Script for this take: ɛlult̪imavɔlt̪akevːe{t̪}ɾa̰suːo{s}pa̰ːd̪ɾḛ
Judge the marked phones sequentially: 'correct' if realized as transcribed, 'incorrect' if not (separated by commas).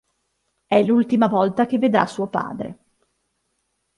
incorrect, incorrect